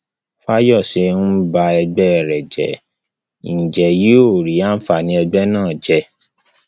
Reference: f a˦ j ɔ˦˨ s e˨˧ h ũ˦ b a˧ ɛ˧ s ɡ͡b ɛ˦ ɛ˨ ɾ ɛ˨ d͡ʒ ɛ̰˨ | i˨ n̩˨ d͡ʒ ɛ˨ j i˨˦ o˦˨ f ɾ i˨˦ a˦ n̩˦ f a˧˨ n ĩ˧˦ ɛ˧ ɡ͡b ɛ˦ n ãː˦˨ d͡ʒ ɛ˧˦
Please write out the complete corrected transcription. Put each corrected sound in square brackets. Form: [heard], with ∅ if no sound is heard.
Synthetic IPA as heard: f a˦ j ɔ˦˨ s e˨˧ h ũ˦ b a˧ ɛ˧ [∅] ɡ͡b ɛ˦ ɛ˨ ɾ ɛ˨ d͡ʒ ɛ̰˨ | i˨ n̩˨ d͡ʒ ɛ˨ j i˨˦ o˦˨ [∅] ɾ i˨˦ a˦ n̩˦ f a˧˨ n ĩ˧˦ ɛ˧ ɡ͡b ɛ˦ n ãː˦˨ d͡ʒ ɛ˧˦